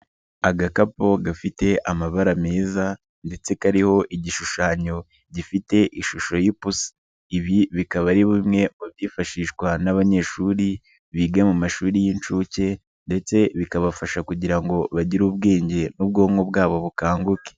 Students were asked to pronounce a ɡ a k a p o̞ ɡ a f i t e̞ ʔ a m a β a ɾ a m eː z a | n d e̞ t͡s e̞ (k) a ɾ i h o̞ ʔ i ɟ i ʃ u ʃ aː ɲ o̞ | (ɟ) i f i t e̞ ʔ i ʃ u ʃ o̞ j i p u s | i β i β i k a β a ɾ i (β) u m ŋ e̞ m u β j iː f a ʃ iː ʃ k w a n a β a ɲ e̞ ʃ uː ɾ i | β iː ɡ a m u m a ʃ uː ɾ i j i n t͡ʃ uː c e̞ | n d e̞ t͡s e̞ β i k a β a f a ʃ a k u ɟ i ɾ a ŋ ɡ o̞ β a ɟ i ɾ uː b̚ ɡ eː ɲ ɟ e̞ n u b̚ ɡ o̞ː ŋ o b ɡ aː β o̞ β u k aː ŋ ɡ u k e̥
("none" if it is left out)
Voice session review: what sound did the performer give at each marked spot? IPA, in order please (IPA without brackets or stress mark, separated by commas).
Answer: k, ɟ, β